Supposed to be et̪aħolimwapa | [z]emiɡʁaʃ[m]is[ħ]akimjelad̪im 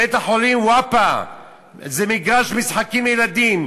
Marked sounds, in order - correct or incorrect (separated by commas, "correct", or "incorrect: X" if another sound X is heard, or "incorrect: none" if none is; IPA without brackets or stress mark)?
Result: correct, correct, correct